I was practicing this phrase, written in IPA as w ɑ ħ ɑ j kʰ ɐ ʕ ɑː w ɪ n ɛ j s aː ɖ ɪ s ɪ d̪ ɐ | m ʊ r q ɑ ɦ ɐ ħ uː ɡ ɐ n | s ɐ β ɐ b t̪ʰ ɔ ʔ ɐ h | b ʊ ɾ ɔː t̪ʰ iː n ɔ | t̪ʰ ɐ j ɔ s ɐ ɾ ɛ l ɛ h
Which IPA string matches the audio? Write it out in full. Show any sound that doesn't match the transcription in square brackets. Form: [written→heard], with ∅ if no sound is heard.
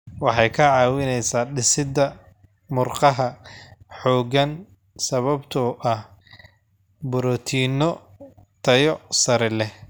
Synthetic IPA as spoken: w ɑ ħ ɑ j kʰ ɐ ʕ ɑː w ɪ n ɛ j s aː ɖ ɪ s ɪ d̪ ɐ | m ʊ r q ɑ ɦ ɐ ħ [uː→ɔː] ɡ ɐ n | s ɐ β ɐ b t̪ʰ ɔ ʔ ɐ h | b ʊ ɾ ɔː t̪ʰ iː n ɔ | t̪ʰ ɐ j ɔ s ɐ ɾ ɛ l ɛ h